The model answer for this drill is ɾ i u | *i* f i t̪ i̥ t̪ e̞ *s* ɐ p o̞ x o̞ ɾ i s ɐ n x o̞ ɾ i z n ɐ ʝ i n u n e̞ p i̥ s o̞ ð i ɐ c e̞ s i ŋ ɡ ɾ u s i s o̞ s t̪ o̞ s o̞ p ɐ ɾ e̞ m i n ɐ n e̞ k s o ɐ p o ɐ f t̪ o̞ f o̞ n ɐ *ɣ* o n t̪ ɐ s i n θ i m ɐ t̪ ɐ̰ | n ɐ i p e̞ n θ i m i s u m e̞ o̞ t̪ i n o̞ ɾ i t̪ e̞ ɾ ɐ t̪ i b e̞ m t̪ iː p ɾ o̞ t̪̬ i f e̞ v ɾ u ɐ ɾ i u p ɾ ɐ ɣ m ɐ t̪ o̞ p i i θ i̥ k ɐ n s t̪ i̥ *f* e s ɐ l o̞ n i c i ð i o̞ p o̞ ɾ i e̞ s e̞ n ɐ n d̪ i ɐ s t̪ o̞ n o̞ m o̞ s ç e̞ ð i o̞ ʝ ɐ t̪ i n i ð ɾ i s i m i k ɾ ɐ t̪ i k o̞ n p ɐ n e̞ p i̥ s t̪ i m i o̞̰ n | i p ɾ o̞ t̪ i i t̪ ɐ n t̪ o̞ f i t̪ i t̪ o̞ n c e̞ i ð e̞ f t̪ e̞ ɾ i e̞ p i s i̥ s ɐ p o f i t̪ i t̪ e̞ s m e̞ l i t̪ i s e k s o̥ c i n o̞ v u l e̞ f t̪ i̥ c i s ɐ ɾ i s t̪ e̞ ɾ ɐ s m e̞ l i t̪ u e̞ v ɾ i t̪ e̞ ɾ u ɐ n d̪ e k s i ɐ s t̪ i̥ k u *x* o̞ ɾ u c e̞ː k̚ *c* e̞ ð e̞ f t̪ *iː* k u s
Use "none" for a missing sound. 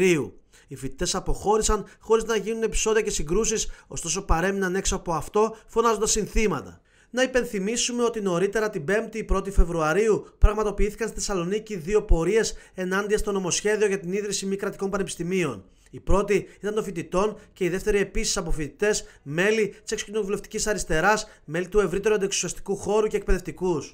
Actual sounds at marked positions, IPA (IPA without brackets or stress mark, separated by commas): i, s, z, θ, x, p, i